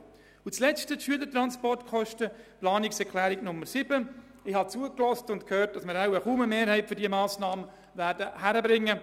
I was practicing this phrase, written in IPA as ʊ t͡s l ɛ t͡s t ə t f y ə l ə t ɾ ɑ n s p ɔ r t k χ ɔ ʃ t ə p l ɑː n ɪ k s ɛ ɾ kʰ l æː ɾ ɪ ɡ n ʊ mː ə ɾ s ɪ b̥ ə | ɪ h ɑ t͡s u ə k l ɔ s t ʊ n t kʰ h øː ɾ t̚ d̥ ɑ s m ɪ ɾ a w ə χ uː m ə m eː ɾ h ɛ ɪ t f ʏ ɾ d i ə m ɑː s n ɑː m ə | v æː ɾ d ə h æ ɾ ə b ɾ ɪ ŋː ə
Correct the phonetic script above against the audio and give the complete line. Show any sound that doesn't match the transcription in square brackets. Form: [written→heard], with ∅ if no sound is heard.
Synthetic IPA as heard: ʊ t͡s l ɛ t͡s t ə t [f→ʃ] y ə l ə t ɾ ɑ n s p ɔ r t k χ ɔ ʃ t ə p l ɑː n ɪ k s ɛ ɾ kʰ l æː ɾ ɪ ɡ n ʊ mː ə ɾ s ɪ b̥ ə | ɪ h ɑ t͡s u ə k l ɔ s t ʊ n t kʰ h øː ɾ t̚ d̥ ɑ s m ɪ ɾ a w ə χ uː m ə m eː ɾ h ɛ ɪ t f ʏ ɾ d i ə m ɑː s n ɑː m ə | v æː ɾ d ə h æ ɾ ə b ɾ ɪ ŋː ə